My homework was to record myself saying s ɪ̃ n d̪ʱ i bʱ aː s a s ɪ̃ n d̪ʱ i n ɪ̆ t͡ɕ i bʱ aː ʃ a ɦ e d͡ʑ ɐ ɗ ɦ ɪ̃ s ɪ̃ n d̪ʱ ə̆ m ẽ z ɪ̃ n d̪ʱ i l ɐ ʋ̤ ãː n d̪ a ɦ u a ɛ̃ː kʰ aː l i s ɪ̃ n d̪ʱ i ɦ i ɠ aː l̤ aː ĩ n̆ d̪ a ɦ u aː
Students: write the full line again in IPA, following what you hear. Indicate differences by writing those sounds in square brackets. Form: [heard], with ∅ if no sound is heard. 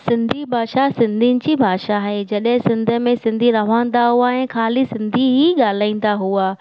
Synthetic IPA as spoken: s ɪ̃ n d̪ʱ i bʱ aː [ʃ] a s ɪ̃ n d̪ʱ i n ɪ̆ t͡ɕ i bʱ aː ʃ a ɦ e d͡ʑ ɐ ɗ ɦ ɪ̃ s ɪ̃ n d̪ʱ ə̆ m ẽ [s] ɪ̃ n d̪ʱ i [ɾ] ɐ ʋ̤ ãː n d̪ a ɦ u a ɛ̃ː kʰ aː l i s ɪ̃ n d̪ʱ i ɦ i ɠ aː l̤ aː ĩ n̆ d̪ a ɦ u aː